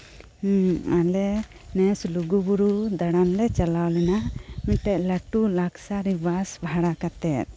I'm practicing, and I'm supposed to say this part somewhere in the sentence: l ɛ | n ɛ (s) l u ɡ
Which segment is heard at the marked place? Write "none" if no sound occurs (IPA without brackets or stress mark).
s